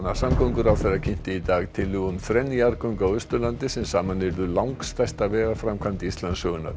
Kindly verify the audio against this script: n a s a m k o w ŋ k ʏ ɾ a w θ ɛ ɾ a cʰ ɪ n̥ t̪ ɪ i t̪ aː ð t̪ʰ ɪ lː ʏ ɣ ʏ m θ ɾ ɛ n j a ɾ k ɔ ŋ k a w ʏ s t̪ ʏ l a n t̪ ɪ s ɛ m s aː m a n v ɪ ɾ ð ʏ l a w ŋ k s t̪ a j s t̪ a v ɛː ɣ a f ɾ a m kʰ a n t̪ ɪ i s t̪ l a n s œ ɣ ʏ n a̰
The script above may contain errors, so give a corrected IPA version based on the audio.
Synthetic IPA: n a s a m k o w ŋ k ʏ ɾ a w θ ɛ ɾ a cʰ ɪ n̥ t̪ ɪ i t̪ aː ɣ t̪ʰ ɪ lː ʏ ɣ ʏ m θ ɾ ɛ n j a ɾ k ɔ ŋ k a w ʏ s t̪ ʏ l a n t̪ ɪ s ɛ m s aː m a n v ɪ ɾ ð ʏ l a w ŋ k s t̪ a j s t̪ a v ɛː ɣ a f ɾ a m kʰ a n t̪ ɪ i s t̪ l a n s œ ɣ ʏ n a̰